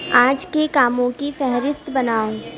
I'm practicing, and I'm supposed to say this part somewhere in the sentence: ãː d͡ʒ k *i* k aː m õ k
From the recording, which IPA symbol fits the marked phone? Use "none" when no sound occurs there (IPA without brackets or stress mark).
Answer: e